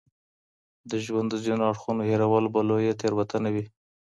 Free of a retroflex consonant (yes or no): no